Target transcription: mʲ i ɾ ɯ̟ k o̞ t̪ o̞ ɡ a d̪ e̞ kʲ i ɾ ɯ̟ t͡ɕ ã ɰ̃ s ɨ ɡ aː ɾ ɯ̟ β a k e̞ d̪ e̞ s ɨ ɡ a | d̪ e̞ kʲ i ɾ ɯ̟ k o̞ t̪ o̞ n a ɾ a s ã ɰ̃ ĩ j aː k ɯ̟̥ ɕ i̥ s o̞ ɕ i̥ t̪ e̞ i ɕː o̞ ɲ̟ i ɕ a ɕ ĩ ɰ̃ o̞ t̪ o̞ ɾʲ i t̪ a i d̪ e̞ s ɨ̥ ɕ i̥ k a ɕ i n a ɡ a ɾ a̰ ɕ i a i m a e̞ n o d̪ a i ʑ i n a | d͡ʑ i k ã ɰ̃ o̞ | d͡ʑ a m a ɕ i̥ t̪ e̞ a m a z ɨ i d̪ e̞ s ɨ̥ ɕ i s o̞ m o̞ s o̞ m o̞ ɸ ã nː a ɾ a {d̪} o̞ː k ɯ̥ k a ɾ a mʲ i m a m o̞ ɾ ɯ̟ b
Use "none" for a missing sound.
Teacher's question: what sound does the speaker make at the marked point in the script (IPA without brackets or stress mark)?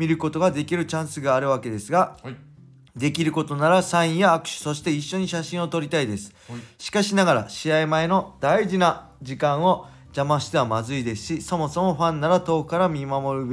t̪